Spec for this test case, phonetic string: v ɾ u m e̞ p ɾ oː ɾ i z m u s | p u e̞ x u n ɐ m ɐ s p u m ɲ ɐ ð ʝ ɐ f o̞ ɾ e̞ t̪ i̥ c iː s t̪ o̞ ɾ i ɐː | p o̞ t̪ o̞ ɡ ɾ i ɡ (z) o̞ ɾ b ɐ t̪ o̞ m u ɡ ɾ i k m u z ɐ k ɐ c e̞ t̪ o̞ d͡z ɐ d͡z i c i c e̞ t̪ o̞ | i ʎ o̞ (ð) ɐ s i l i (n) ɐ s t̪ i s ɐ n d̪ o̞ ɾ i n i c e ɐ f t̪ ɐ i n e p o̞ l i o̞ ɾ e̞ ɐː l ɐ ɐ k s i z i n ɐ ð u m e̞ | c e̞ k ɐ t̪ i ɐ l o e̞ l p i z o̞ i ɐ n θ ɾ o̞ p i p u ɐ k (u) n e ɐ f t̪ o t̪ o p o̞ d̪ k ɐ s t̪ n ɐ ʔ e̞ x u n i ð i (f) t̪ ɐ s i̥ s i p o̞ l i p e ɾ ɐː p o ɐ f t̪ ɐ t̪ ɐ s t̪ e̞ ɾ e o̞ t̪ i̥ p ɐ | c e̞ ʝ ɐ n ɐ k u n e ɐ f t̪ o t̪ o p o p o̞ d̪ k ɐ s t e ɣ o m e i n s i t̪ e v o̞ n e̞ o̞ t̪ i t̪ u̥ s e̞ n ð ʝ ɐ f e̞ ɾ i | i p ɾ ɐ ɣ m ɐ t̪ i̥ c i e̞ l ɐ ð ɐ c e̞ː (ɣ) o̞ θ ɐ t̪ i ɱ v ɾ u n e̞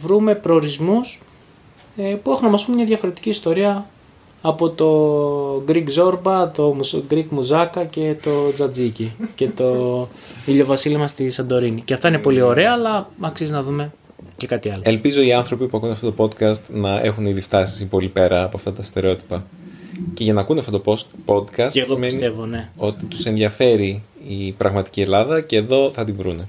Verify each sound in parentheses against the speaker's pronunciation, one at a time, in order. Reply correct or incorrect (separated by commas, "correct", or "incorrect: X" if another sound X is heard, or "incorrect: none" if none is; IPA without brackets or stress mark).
correct, incorrect: v, incorrect: m, correct, correct, incorrect: ð